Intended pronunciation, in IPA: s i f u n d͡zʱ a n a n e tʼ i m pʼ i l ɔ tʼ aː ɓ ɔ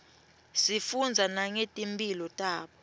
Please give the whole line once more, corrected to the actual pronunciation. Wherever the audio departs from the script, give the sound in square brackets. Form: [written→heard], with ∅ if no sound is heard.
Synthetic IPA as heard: s i f u n d͡zʱ a n a [n→ŋ] e tʼ i m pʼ i l ɔ tʼ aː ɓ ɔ